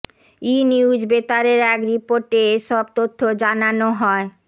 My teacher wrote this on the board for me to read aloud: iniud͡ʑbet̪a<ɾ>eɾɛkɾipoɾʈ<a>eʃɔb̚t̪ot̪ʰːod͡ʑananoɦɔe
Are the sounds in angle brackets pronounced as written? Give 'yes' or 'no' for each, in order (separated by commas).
yes, no